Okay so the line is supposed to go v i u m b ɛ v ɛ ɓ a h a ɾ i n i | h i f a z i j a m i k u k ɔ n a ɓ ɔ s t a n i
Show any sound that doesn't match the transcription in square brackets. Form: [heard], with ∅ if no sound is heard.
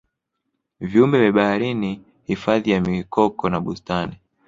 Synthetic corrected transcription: v i u m b ɛ v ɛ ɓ a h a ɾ i n i | h i f a [ð] i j a m i k [ɔ] k ɔ n a ɓ [u] s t a n i